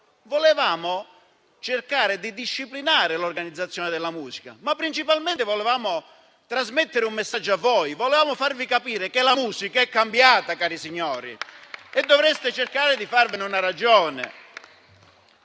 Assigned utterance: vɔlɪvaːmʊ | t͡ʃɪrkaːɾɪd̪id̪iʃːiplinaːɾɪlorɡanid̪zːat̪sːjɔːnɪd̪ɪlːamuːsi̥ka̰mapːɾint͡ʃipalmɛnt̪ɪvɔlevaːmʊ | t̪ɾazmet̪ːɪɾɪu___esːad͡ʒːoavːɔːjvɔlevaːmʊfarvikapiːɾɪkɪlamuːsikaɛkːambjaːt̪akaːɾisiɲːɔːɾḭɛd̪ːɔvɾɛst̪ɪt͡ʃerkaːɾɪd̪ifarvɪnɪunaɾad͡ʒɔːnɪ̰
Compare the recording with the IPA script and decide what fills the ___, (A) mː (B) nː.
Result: A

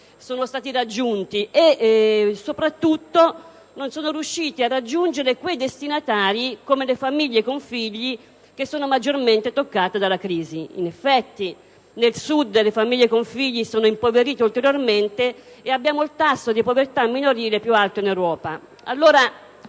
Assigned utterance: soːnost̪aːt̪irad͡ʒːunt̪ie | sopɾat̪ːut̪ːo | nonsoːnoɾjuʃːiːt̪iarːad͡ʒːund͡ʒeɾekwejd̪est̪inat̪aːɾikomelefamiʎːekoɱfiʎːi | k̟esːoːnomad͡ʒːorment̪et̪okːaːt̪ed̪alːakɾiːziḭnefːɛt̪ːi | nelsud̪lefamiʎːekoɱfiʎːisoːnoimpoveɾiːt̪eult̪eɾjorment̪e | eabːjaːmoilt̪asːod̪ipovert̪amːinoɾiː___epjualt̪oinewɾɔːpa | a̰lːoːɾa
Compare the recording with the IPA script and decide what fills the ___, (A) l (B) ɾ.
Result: A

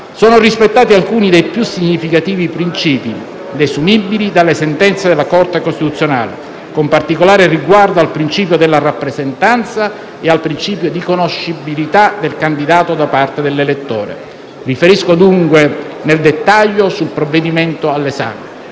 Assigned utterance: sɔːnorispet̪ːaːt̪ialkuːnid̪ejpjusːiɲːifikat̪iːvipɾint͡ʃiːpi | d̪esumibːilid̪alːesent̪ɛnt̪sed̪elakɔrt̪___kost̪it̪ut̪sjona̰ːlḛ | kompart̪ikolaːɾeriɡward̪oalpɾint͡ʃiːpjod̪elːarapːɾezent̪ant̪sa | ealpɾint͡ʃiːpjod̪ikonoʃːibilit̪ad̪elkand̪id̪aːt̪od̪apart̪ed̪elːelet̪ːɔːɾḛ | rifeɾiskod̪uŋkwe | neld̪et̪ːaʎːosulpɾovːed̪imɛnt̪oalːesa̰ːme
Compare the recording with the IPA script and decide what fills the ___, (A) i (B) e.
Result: B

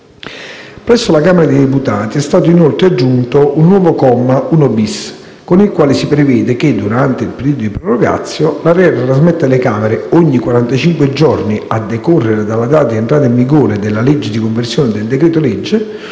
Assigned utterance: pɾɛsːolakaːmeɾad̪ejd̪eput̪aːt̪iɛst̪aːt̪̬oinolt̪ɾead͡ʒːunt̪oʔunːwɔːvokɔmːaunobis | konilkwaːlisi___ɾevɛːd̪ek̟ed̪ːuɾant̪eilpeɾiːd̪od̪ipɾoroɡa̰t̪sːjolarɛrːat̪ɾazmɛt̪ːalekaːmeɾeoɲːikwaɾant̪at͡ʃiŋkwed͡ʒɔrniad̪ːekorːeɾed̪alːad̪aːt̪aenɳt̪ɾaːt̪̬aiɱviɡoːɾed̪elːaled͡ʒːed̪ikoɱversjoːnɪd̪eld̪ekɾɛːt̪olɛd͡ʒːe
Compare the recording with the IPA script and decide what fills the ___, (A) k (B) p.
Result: B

